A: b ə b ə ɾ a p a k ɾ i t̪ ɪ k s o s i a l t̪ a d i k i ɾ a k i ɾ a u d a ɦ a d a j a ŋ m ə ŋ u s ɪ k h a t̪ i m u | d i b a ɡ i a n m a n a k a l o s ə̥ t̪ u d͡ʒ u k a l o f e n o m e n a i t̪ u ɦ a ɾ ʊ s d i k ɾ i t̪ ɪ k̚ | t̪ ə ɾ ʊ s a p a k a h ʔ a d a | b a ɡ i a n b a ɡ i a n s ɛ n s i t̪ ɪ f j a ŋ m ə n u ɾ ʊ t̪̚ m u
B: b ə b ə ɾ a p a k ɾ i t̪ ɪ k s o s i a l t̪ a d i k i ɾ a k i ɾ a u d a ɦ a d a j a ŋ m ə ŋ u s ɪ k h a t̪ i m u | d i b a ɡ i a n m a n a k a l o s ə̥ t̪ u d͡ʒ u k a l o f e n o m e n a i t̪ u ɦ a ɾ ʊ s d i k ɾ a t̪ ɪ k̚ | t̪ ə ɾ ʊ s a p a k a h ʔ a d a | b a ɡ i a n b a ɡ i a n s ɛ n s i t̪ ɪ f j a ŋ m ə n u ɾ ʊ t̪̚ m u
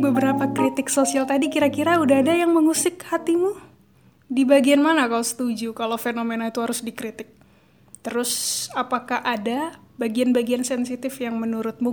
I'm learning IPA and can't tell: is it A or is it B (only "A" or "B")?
A